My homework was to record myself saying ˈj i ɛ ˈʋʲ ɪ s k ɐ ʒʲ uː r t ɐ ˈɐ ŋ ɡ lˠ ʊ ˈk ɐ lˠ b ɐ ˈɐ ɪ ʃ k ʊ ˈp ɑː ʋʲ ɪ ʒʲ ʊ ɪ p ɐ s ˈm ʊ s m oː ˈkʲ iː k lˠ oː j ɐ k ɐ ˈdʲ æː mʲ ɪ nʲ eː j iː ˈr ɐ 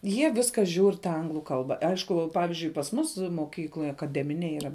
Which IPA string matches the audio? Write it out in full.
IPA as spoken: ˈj i ɛ ˈʋʲ ɪ s k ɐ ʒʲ uː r t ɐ ˈɐ ŋ ɡ lˠ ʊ ˈk ɐ lˠ b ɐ ˈɐ ɪ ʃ k ʊ ˈp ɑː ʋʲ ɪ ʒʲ ʊ ɪ p ɐ s ˈm ʊ s m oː ˈkʲ iː k lˠ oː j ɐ k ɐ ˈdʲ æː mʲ ɪ nʲ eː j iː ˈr ɐ